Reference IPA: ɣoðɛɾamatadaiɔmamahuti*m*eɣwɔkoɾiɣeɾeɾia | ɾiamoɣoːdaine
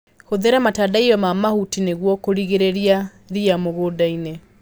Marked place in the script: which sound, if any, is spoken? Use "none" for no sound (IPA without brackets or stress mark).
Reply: n